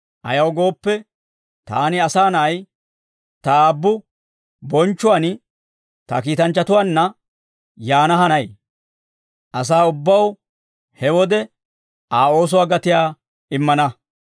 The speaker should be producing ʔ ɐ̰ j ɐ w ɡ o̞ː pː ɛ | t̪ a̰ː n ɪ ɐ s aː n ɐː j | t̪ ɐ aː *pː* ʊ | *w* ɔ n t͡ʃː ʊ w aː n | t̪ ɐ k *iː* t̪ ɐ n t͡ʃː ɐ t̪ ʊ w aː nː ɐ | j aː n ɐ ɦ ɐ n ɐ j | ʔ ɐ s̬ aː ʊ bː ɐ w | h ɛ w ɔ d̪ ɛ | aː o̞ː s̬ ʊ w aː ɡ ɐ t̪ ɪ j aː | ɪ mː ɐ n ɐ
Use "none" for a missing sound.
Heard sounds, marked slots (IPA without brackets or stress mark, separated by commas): bː, b, iː